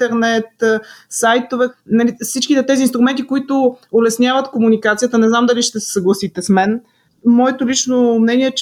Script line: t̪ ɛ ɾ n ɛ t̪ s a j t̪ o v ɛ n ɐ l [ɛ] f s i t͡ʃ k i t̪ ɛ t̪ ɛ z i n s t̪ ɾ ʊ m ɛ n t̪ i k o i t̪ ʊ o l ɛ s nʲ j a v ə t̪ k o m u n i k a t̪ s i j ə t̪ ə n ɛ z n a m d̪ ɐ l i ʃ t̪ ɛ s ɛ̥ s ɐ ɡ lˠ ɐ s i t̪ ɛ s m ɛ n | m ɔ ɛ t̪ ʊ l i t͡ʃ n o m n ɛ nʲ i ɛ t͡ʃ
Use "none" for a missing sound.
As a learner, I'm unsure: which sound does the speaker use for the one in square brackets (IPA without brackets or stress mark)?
i